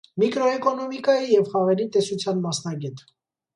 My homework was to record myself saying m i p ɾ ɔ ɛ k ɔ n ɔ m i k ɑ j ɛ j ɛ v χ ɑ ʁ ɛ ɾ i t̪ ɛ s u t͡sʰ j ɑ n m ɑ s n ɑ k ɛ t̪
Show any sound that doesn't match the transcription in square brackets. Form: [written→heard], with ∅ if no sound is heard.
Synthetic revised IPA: m i [p→k] ɾ ɔ ɛ k ɔ n ɔ m i k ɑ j [ɛ→i] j ɛ v χ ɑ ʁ ɛ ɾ i t̪ ɛ s u t͡sʰ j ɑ n m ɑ s n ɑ [k→ɡ] ɛ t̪